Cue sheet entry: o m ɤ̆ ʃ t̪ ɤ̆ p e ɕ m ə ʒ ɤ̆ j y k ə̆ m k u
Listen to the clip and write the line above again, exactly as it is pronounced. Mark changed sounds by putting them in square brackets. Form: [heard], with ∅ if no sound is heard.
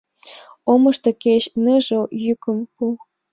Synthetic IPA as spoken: o m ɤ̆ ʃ t̪ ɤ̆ [k] e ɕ [n] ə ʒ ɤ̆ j y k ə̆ m [p] u